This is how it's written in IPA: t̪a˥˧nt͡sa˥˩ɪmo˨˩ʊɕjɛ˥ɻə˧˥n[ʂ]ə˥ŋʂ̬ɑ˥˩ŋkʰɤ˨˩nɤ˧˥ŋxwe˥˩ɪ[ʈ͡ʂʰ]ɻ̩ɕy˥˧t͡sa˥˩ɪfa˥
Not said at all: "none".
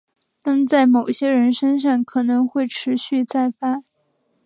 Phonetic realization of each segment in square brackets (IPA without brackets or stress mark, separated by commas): ʂ, ʈ͡ʂʰ